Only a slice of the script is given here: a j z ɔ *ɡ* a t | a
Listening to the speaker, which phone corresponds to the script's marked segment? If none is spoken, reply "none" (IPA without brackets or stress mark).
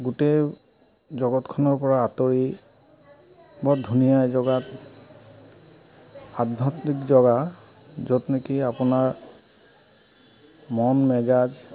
ɡ